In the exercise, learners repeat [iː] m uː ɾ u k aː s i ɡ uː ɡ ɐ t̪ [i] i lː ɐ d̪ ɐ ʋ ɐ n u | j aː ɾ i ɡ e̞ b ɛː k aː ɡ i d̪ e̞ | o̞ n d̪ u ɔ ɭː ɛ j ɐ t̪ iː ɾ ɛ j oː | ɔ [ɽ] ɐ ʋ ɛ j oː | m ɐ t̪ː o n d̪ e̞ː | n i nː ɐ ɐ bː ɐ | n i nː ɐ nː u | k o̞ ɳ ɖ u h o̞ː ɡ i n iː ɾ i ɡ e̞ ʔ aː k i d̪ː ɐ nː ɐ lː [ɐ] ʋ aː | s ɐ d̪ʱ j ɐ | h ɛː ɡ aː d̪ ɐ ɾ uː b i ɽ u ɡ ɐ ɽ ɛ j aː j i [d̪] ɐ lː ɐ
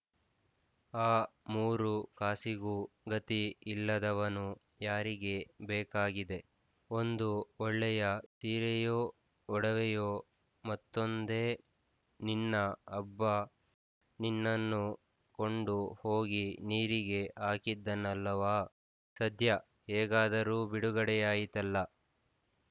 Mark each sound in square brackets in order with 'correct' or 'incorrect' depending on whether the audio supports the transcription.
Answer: incorrect: aː, correct, correct, correct, incorrect: t̪

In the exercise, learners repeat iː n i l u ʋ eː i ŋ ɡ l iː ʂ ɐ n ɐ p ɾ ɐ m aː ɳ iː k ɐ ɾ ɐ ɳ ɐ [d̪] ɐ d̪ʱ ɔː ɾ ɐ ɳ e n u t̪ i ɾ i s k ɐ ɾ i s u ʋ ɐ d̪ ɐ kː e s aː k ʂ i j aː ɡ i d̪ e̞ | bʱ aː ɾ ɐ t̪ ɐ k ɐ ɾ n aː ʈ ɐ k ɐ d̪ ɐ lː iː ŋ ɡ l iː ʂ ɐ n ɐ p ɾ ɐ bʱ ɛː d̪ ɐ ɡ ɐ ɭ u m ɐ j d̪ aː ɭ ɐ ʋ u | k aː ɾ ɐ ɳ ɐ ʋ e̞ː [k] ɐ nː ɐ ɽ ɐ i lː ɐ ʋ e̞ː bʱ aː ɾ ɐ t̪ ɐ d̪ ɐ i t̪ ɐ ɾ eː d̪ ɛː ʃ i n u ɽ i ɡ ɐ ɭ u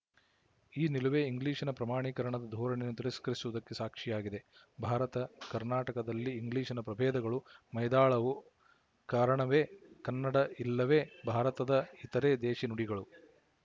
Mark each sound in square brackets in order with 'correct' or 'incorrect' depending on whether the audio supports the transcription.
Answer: correct, correct

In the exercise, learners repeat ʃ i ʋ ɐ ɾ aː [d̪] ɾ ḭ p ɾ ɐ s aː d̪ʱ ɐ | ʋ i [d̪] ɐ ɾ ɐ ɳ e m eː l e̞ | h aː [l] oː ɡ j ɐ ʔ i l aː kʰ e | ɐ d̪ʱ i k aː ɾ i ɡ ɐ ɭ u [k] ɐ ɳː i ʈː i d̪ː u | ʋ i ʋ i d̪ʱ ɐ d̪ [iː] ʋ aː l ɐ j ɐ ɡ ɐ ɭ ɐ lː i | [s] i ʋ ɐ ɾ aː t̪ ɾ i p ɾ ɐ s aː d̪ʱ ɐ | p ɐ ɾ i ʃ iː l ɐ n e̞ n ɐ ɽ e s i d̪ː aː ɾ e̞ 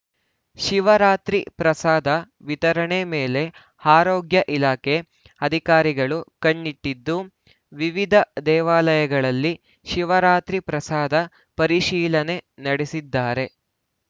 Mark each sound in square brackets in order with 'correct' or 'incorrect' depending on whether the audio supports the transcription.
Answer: incorrect: t̪, incorrect: t̪, incorrect: ɾ, correct, incorrect: ɛː, incorrect: ʃ

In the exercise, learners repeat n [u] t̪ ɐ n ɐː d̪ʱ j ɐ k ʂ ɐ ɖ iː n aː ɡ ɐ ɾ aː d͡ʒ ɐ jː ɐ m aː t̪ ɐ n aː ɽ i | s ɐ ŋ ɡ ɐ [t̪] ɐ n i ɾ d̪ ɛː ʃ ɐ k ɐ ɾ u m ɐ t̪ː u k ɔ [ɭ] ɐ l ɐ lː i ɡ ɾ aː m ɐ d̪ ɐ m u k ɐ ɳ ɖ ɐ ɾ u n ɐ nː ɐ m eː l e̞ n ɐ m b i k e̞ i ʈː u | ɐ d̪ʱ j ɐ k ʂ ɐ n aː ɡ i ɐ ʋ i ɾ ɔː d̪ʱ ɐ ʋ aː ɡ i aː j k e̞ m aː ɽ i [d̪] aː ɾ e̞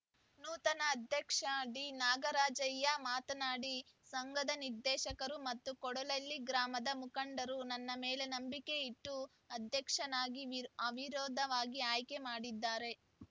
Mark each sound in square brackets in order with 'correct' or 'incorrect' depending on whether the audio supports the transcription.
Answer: incorrect: uː, incorrect: d̪, incorrect: ɽ, incorrect: d̪ː

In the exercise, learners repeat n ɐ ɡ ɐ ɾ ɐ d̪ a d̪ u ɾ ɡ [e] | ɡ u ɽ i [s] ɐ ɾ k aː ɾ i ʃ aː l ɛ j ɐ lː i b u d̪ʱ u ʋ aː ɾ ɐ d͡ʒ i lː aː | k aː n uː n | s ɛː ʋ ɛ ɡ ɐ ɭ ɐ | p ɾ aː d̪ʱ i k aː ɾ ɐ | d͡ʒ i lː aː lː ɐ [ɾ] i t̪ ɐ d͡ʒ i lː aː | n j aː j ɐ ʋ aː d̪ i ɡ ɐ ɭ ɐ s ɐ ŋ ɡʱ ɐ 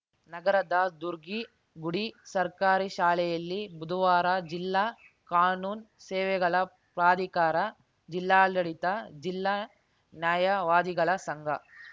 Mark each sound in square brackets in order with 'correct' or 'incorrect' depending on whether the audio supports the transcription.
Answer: incorrect: i, correct, incorrect: ɽ

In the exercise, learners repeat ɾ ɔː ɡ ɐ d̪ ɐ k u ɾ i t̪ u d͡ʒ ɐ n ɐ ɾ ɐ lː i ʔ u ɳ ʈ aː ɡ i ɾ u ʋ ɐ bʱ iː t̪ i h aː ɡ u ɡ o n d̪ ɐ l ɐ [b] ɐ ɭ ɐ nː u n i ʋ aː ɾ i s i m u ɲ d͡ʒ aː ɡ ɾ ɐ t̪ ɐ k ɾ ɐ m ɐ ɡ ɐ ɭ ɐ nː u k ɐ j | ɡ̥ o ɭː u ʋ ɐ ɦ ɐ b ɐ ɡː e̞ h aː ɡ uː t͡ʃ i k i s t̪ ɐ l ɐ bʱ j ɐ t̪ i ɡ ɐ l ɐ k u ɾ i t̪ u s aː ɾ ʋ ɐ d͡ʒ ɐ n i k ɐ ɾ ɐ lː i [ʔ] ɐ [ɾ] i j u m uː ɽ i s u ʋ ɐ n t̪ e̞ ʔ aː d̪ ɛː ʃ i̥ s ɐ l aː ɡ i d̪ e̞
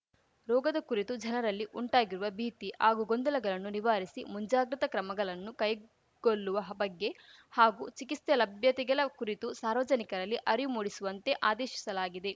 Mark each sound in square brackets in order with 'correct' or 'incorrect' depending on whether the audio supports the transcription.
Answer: incorrect: ɡ, correct, correct

